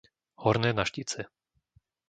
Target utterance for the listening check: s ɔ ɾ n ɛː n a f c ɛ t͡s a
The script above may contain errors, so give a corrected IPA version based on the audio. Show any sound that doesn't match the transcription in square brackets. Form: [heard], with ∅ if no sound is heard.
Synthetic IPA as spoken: [h] ɔ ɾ n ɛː n a [ʃ] c [i] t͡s [ɛ]